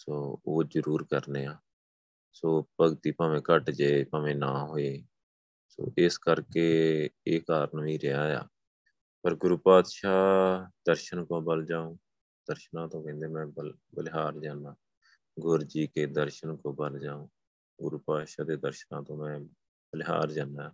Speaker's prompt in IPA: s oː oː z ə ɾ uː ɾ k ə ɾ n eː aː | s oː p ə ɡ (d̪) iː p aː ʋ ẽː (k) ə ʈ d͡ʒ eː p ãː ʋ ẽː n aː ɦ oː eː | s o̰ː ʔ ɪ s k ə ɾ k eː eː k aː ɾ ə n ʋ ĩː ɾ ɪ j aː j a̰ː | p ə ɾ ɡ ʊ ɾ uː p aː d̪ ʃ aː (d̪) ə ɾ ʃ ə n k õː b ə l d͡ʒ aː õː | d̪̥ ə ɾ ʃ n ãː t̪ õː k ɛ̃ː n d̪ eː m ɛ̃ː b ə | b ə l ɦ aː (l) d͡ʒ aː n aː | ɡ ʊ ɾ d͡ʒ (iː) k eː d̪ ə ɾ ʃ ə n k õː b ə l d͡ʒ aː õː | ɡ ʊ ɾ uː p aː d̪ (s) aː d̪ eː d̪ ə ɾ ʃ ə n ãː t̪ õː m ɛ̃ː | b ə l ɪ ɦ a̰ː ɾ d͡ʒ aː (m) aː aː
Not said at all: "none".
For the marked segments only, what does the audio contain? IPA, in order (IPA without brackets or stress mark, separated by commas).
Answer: t̪, k, d̪, ɾ, iː, ʃ, n